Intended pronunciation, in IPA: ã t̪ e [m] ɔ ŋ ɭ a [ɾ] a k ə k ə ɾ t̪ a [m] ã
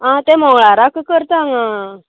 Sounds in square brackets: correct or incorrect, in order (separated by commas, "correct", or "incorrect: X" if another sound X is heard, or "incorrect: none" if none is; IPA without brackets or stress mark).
correct, correct, incorrect: ŋ